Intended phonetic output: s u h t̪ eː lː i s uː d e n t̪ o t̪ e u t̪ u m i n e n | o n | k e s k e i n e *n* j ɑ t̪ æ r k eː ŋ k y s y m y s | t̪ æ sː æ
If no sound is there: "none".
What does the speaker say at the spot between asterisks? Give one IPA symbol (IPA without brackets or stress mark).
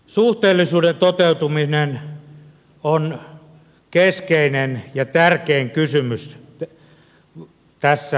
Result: n